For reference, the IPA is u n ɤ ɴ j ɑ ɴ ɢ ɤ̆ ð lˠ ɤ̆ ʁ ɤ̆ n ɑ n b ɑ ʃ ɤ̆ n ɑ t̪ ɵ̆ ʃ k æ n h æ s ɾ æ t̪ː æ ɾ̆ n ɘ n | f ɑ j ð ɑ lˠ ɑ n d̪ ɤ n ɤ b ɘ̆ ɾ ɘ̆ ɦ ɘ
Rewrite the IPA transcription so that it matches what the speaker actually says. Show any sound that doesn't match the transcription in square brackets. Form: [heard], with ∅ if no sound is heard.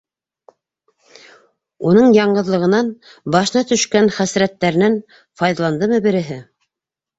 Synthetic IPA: u n ɤ ɴ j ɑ ɴ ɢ ɤ̆ ð lˠ ɤ̆ ʁ ɤ̆ n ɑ n b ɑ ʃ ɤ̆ n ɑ t̪ ɵ̆ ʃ k æ n [χ] æ s ɾ æ t̪ː æ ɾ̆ n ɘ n | f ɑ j ð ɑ lˠ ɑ n d̪ ɤ [m] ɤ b ɘ̆ ɾ ɘ̆ ɦ ɘ